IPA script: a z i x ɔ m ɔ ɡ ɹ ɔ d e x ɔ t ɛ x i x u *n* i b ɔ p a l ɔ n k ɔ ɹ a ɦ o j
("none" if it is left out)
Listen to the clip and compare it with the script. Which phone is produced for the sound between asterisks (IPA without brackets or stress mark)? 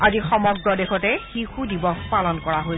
d